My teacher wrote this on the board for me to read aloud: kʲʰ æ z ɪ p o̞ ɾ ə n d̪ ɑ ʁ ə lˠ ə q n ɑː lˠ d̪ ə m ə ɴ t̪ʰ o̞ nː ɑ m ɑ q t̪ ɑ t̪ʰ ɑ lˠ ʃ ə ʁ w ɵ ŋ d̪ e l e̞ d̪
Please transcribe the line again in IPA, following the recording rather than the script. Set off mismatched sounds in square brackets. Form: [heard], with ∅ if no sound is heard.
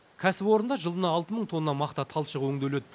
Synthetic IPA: kʲʰ æ [s] ɪ p o̞ ɾ ə n d̪ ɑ [ʒ] ə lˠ ə [∅] n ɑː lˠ [t̪] ə m ə ɴ t̪ʰ o̞ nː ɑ m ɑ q t̪ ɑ t̪ʰ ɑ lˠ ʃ ə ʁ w ɵ ŋ d̪ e l e̞ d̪